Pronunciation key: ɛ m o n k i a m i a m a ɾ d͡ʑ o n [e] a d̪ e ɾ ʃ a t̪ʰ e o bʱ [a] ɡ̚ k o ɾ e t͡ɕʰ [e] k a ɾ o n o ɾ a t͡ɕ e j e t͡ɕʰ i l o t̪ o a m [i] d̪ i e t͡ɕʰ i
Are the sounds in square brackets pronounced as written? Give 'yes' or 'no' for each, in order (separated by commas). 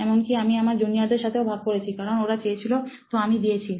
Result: no, yes, no, yes